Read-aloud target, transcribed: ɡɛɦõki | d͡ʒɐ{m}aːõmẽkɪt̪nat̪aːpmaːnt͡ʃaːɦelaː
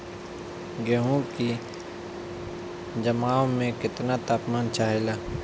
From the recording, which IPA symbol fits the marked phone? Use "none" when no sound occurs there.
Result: m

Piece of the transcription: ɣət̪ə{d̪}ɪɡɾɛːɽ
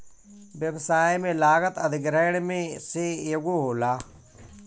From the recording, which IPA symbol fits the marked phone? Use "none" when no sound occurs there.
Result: d̪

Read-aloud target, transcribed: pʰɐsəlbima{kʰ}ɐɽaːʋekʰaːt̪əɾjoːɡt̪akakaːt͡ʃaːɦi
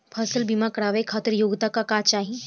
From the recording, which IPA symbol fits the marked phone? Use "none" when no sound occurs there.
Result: k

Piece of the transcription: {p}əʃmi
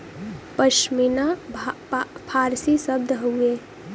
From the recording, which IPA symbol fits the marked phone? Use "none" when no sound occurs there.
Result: p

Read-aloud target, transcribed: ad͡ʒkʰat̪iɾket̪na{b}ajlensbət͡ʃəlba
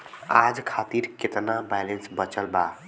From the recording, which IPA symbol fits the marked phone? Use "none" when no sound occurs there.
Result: b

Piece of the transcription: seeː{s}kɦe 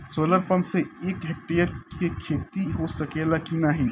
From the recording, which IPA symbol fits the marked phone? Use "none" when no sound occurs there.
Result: none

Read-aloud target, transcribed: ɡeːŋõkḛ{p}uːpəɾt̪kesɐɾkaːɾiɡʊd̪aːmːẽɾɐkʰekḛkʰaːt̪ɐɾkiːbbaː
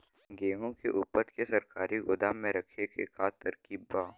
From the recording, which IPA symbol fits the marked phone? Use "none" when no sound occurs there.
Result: ʔ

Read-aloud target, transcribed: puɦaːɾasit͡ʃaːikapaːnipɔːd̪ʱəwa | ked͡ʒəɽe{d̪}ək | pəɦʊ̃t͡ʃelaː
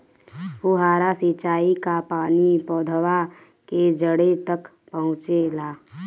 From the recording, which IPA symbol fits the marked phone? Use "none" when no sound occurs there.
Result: t̪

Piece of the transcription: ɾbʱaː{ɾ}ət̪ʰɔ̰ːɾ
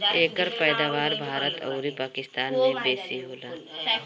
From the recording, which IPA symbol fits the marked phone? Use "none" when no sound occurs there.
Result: ɾ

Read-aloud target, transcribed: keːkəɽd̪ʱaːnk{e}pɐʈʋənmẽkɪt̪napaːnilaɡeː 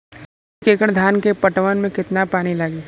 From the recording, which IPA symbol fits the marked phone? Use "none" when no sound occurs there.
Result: e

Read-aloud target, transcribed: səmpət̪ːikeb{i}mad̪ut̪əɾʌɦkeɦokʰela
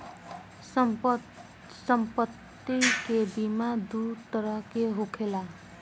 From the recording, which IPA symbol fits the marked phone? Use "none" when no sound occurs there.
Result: i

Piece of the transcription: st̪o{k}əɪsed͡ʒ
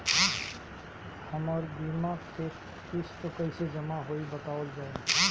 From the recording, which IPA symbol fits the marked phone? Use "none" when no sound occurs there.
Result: k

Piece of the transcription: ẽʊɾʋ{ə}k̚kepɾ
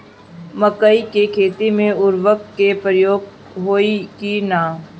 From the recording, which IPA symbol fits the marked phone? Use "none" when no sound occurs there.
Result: ə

